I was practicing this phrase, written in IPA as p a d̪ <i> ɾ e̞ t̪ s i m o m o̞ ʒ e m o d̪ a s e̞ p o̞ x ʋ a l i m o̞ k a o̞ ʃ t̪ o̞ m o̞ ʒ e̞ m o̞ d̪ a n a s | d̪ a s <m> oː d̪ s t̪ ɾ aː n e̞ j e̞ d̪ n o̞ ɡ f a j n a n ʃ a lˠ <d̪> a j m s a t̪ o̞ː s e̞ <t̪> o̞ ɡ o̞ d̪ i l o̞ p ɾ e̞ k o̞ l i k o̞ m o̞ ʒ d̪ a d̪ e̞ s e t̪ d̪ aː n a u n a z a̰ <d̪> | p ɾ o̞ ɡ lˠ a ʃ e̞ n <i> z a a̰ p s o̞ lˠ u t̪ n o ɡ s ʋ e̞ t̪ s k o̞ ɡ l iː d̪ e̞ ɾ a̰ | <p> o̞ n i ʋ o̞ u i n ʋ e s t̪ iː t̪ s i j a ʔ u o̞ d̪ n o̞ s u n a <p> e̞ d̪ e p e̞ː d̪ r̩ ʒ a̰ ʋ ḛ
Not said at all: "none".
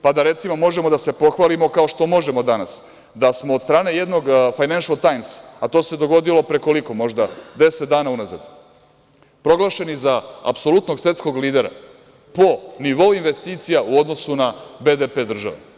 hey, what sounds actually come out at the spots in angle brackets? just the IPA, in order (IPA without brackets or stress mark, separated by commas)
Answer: a, m, t̪, d̪, d̪, i, p, b